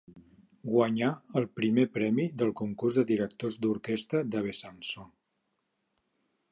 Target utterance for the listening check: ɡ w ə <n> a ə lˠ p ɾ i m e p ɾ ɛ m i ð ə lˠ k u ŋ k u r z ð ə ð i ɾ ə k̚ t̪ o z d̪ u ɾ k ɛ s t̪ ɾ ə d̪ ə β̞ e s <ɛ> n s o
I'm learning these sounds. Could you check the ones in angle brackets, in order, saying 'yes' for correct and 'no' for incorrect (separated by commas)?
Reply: no, no